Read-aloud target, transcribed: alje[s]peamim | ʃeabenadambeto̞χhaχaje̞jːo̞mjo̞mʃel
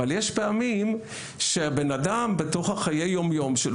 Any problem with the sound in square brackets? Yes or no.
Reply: yes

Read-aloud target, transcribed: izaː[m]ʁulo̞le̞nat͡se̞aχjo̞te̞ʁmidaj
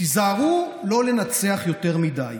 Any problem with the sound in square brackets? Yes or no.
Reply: yes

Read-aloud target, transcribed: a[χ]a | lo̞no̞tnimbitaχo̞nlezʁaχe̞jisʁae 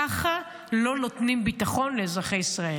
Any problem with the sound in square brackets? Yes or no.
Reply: no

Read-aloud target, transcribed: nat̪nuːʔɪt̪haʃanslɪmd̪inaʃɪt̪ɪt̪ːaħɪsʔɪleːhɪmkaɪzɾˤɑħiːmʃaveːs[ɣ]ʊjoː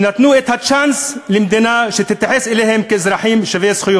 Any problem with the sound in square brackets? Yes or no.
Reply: yes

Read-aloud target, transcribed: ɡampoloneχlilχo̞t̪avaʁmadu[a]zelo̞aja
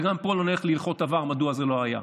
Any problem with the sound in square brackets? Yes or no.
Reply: no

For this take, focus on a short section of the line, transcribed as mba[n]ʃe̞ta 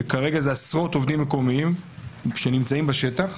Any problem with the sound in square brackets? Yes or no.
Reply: yes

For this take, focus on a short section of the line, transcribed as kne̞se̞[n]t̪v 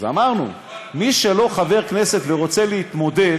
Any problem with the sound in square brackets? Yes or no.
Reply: yes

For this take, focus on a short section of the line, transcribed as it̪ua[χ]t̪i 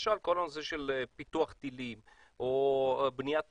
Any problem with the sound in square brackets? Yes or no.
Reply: no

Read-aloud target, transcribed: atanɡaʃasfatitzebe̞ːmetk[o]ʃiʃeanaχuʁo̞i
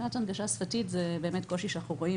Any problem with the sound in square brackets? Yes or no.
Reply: no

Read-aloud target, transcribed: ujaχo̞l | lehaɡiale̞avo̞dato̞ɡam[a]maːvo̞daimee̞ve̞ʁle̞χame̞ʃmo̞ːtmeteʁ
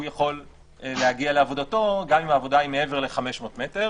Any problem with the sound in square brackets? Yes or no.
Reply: yes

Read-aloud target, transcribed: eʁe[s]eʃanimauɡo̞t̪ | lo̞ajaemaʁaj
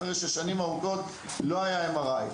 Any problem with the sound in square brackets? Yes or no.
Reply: yes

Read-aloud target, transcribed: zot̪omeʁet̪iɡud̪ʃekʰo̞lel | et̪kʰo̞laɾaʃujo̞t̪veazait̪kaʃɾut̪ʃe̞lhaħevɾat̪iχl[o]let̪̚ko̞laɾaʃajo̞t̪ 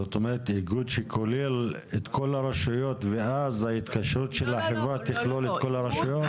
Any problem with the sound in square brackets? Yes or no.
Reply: no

